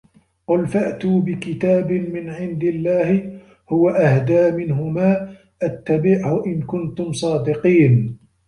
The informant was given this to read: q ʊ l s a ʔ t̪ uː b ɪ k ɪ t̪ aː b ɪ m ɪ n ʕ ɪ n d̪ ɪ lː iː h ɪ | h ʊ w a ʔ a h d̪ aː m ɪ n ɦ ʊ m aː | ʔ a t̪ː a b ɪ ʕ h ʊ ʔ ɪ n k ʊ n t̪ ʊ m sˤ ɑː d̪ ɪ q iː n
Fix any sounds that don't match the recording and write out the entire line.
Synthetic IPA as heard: q ʊ l f a ʔ t̪ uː b ɪ k ɪ t̪ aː b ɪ m ɪ n ʕ ɪ n d̪ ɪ lː aː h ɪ | h ʊ w a ʔ a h d̪ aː m ɪ n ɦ ʊ m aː | ʔ a t̪ː a b ɪ ʕ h ʊ ʔ ɪ n k ʊ n t̪ ʊ m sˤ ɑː d̪ ɪ q iː n

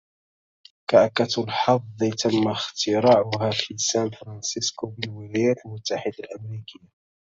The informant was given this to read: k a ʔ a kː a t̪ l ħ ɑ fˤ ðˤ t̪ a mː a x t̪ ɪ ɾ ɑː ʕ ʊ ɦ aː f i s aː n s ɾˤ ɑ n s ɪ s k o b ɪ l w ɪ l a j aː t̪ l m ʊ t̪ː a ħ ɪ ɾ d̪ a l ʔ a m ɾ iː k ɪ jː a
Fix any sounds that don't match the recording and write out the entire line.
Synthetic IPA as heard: k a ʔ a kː a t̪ l ħ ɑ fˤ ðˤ t̪ a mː a x t̪ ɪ ɾ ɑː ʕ ʊ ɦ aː f i s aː n f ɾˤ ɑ n s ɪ s k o b ɪ l w ɪ l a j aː t̪ l m ʊ t̪ː a ħ ɪ d̪ a l ʔ a m ɾ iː k ɪ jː a

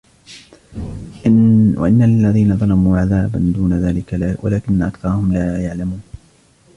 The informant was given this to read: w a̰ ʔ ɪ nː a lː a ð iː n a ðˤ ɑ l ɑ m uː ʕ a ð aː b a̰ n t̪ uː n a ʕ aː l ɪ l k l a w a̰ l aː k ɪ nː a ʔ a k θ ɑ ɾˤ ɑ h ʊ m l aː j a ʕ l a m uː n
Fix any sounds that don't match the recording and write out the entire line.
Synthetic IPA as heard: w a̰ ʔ ɪ nː a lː a ð iː n a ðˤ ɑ l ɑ m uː ʕ a ð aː b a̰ n d̪ uː n a ð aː l ɪ k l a w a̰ l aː k ɪ nː a ʔ a k θ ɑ ɾˤ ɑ h ʊ m l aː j a ʕ l a m uː n

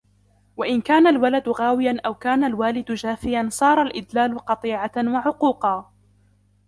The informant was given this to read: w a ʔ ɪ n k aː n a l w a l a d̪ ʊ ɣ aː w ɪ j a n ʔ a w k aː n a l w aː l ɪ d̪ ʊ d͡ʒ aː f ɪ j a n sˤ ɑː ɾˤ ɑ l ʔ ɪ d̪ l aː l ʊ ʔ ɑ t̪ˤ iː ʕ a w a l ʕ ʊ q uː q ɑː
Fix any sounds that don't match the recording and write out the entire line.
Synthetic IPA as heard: w a ʔ ɪ n k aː n a l w a l a d̪ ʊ ɣ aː w ɪ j a n ʔ a w k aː n a l w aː l ɪ d̪ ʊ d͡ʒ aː f ɪ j a n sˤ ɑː ɾˤ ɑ l ʔ ɪ d̪ l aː l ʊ q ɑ t̪ˤ iː ʕ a w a ʕ ʊ q uː q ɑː

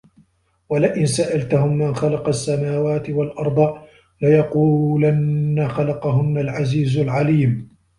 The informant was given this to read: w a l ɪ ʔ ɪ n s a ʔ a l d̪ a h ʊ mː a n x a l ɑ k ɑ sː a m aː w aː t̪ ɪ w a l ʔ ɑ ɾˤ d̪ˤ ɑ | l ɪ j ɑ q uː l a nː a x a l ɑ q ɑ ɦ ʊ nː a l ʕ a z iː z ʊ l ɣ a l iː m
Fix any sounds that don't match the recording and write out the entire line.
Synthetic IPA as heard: w a l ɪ ʔ ɪ n s a ʔ a l t̪ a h ʊ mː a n x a l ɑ q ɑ sː a m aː w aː t̪ ɪ w a l ʔ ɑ ɾˤ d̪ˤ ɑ | l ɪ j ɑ q uː l a nː a x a l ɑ q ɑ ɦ ʊ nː a l ʕ a z iː z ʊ l ʕ a l iː m

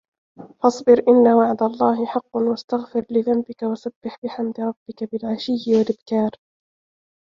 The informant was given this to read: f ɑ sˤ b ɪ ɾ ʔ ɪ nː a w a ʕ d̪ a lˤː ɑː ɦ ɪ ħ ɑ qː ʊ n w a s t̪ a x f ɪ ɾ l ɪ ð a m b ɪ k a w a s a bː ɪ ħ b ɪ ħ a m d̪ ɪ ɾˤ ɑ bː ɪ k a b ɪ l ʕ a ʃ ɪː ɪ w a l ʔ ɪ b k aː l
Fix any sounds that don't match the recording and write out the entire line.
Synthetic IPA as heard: f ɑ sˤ b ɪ ɾ ʔ ɪ nː a w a ʕ d̪ a lˤː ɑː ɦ ɪ ħ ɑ qː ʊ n w a s t̪ a ɣ f ɪ ɾ l ɪ ð a m b ɪ k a w a s a bː ɪ ħ b ɪ ħ a m d̪ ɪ ɾˤ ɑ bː ɪ k a b ɪ l ʕ a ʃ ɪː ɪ w a l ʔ ɪ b k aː ɾ

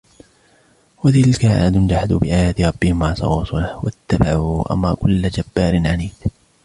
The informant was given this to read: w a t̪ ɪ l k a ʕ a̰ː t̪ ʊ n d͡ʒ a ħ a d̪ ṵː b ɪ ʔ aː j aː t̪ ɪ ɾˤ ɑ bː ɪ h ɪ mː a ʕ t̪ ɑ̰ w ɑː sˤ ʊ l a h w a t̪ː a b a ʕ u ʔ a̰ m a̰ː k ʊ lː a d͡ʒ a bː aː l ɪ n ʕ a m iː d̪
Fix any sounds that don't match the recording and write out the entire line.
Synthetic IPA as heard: w a t̪ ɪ l k a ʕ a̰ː d̪ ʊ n d͡ʒ a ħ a d̪ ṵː b ɪ ʔ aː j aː t̪ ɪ ɾˤ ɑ bː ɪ h ɪ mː a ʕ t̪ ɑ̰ w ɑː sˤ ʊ l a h w a t̪ː a b a ʕ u ʔ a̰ m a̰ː k ʊ lː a d͡ʒ a bː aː ɾ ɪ n ʕ a n iː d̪

